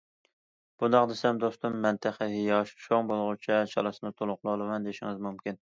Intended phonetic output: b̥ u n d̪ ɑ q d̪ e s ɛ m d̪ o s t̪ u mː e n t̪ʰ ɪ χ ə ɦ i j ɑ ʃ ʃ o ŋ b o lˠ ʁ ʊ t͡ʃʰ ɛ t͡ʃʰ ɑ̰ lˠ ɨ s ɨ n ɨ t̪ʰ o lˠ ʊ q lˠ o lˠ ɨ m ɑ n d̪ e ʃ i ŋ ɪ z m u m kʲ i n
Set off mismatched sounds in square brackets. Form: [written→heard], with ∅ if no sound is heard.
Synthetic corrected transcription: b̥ u n d̪ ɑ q d̪ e s ɛ m d̪ o s t̪ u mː [e→ɛ] n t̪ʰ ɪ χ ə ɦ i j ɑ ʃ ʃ o ŋ b o lˠ ʁ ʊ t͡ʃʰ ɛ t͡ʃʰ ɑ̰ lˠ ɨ s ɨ n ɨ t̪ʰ o lˠ ʊ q lˠ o lˠ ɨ m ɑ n d̪ e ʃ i ŋ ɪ z m u m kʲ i n